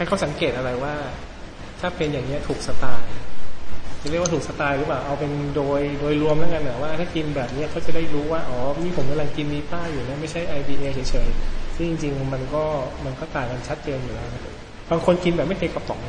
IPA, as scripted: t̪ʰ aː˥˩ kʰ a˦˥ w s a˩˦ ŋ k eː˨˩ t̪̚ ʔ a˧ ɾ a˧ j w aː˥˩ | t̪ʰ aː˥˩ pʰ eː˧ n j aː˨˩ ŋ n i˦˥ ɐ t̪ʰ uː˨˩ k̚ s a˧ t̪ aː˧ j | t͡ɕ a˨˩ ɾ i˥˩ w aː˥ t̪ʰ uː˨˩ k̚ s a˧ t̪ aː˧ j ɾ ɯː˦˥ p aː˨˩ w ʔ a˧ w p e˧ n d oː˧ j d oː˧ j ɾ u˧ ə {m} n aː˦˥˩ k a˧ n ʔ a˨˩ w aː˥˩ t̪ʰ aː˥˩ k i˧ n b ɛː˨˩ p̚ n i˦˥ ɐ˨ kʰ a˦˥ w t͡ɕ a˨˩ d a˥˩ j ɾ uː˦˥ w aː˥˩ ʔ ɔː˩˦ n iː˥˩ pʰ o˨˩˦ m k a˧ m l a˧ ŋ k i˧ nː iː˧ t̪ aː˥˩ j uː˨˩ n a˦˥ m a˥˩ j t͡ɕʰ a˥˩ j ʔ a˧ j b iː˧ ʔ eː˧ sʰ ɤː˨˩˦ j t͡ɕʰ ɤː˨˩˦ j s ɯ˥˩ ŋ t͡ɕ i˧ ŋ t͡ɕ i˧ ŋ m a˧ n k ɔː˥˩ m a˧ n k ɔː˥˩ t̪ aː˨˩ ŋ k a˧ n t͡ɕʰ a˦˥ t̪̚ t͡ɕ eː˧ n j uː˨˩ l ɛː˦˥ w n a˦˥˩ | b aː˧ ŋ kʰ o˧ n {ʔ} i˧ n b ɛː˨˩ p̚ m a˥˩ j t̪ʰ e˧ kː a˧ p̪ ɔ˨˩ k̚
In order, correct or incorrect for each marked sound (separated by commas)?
correct, incorrect